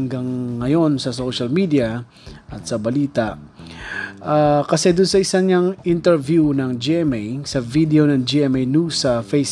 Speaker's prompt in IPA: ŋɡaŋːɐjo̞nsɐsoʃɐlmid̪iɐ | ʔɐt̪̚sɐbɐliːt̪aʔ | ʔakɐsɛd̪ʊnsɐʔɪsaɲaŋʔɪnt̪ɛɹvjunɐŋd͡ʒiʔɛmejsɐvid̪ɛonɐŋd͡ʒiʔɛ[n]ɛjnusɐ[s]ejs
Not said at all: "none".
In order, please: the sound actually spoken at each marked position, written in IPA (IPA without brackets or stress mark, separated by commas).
m, f